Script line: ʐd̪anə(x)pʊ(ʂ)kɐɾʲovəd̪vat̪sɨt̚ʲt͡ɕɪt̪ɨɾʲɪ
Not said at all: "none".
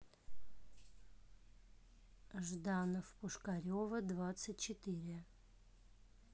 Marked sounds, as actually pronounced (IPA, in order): f, ʂ

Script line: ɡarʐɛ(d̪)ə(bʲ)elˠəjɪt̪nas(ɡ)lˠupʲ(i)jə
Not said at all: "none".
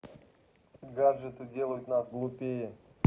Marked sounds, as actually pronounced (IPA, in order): t̪, dʲ, ɡ, e

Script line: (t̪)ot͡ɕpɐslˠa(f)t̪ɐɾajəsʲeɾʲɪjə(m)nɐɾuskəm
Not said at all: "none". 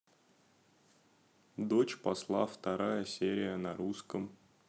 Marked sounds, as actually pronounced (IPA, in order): d̪, f, none

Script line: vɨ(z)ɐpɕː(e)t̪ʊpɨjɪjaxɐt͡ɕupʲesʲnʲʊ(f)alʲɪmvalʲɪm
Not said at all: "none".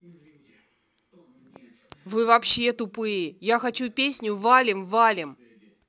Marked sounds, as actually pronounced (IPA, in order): v, e, v

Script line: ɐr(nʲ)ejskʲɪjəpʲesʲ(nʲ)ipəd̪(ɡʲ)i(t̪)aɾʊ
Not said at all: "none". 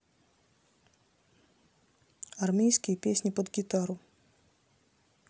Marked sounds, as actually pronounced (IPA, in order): mʲ, nʲ, ɡʲ, t̪

